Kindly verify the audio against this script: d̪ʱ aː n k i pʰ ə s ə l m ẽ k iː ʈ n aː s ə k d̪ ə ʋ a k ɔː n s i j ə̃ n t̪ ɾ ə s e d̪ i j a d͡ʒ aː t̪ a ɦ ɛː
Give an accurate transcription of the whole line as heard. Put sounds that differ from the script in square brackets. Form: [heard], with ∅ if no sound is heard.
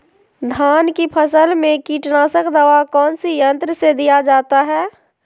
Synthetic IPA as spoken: d̪ʱ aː n k i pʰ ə s ə l m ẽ k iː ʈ n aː s ə k d̪ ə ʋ a k ɔː n s i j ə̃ n t̪ ɾ ə s e d̪ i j a d͡ʒ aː t̪ a ɦ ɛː